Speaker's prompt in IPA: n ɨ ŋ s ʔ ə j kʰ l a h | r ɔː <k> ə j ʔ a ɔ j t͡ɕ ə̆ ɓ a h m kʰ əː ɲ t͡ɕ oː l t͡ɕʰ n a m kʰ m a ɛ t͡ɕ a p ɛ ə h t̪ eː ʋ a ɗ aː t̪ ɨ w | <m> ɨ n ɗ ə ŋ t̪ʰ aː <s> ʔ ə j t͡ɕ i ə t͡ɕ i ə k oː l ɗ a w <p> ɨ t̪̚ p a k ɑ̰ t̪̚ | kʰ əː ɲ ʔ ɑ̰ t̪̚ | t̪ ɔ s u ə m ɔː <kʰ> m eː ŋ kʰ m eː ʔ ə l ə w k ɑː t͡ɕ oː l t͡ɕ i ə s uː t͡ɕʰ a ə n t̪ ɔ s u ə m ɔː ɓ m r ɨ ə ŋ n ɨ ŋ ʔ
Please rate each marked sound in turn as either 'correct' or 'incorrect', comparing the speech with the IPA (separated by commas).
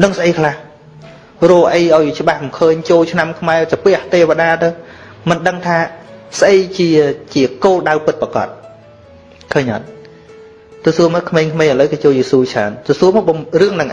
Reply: incorrect, correct, correct, correct, correct